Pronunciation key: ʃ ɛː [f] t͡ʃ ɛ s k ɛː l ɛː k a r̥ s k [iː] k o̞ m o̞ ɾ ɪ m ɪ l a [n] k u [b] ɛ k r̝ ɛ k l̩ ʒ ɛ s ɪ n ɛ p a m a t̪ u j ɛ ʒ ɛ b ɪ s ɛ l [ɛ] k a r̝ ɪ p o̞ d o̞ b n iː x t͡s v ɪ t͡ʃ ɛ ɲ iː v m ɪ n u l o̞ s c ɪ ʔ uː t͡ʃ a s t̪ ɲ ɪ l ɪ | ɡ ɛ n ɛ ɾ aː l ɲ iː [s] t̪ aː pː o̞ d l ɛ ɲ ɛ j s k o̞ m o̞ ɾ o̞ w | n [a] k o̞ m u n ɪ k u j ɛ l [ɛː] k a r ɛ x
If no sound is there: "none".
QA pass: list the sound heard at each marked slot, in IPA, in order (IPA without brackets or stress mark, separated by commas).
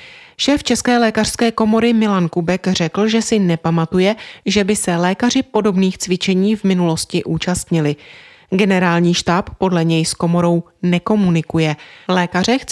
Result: f, ɛː, n, b, ɛː, ʃ, ɛ, ɛː